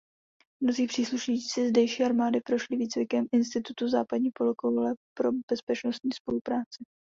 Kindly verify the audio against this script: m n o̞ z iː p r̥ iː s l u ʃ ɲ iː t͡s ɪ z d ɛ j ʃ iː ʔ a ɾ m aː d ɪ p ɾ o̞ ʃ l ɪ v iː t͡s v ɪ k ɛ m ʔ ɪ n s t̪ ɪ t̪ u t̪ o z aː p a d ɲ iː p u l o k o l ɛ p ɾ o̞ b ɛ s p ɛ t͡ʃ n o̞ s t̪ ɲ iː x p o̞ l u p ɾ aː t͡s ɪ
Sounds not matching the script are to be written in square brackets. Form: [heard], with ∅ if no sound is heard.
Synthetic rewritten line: m n o̞ z iː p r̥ iː s l u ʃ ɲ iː t͡s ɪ z d ɛ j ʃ iː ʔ a ɾ m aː d ɪ p ɾ o̞ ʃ l ɪ v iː t͡s v ɪ k ɛ m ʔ ɪ n s t̪ ɪ t̪ u t̪ [u] z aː p a d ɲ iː p [o] l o k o l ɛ p ɾ o̞ b ɛ s p ɛ t͡ʃ n o̞ s t̪ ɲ iː [s] p o̞ l u p ɾ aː t͡s ɪ